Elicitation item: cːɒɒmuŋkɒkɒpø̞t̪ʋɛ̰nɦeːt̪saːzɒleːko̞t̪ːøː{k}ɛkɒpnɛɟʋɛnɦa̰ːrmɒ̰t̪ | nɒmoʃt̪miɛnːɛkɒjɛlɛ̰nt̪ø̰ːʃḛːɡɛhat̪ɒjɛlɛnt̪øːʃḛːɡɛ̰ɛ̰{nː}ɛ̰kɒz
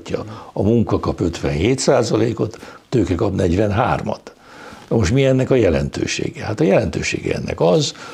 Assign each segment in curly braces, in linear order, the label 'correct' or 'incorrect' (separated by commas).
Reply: correct, correct